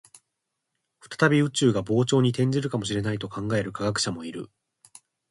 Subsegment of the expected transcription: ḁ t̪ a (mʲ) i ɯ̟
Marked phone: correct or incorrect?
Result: incorrect